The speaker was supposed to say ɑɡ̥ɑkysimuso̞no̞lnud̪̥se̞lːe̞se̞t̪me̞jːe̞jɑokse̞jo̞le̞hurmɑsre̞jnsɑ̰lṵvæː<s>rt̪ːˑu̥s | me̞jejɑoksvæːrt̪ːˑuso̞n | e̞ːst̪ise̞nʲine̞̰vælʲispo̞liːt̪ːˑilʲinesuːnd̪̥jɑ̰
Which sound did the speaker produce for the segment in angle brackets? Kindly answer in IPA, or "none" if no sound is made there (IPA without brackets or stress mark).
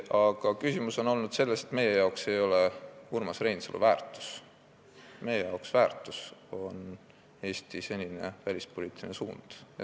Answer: none